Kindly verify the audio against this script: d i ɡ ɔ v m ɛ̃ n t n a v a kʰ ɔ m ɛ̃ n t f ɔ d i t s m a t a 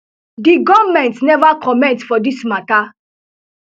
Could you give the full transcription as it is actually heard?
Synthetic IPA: d i ɡ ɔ v m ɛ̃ n t n ɛ v a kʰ ɔ m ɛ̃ n t f ɔ d i s m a t a